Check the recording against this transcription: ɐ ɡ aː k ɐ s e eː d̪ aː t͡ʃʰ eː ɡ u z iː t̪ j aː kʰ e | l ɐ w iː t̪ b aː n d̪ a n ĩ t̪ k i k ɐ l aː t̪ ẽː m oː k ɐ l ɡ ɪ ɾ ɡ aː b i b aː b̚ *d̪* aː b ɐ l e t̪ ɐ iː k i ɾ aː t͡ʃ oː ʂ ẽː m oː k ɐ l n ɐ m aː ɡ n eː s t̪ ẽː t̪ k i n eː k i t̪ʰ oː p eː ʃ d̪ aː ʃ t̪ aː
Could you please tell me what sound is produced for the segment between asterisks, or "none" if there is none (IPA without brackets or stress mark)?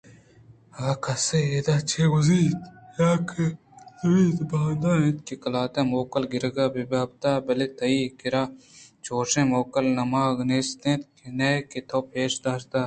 t̪